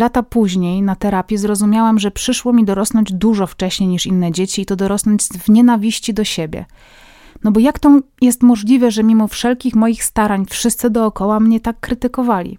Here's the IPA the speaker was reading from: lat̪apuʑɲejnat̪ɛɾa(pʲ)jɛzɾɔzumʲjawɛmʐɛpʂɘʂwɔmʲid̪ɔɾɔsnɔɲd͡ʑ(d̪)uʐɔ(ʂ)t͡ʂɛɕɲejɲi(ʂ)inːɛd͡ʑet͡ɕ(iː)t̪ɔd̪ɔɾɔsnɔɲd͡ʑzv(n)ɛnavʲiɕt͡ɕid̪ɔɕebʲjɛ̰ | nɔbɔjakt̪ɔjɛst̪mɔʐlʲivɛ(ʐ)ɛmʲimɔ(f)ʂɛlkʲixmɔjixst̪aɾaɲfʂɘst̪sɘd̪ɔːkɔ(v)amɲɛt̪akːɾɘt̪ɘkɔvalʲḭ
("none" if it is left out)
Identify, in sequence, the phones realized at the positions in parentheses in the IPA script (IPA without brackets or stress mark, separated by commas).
pʲ, d̪, f, ʂ, iː, ɲ, ʐ, f, w